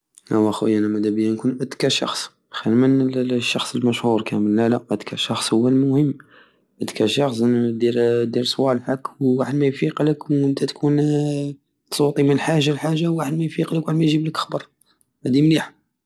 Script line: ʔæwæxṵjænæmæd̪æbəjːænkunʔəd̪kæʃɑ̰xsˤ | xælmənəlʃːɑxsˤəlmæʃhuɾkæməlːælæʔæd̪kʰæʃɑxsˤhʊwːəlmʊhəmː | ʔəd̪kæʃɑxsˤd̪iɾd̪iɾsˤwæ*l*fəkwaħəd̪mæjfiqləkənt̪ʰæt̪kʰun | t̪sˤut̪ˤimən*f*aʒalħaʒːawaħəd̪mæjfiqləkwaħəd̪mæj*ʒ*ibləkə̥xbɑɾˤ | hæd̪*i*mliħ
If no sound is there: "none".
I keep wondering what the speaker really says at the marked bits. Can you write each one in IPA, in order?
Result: l, ħ, ʒ, i

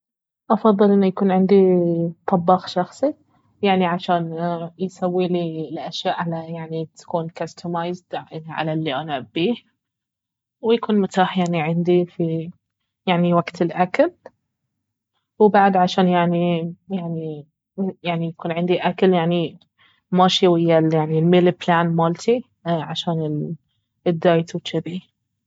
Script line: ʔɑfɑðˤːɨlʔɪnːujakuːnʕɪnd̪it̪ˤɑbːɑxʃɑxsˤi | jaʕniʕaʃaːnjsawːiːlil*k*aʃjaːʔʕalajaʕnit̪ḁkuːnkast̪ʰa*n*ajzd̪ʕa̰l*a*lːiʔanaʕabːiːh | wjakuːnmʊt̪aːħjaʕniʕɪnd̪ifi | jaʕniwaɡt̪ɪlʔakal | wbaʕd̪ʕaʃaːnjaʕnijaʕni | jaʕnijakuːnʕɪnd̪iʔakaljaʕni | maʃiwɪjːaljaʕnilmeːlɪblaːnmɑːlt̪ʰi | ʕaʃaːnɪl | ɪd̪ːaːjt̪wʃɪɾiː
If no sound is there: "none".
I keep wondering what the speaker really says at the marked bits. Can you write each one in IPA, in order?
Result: ʔ, m, a

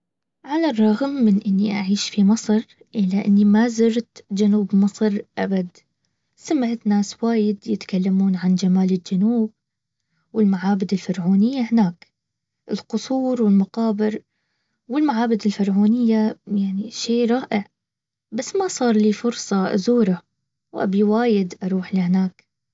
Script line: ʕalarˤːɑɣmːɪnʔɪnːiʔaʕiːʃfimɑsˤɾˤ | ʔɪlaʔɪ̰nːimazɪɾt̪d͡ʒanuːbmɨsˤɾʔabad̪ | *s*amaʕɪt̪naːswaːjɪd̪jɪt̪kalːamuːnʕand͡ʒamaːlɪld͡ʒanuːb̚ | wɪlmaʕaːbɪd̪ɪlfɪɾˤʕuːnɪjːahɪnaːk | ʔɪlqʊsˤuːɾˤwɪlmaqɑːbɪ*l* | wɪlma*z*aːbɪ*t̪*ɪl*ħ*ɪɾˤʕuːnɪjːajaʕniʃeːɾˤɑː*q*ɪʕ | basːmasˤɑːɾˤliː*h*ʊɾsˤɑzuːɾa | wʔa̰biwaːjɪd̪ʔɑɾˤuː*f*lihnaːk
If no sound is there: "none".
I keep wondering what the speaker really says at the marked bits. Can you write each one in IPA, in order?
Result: s, ɾ, ʕ, d̪, f, ʔ, f, ħ

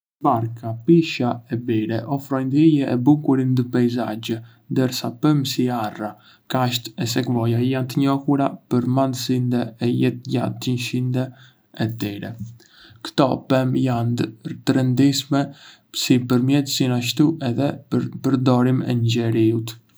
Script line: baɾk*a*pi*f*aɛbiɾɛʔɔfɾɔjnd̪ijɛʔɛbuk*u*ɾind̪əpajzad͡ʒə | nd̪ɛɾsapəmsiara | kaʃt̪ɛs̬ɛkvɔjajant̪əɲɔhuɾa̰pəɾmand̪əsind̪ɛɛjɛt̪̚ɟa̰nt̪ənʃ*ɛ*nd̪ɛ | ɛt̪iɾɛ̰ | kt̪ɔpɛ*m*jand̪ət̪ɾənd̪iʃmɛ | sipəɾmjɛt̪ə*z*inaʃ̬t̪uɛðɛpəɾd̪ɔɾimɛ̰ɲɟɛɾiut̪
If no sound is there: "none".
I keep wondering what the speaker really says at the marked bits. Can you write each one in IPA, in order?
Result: a, ʃ, u, i, m, s

